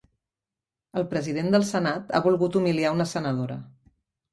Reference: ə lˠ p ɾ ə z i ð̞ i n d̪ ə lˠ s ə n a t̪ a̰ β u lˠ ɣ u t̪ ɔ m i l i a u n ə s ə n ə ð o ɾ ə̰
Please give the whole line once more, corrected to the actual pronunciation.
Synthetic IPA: ə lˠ p ɾ ə z i ð̞ e n d̪ ə lˠ s ə n a t̪ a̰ β u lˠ ɣ u t̪ u m i l i a u n ə s ə n ə ð o ɾ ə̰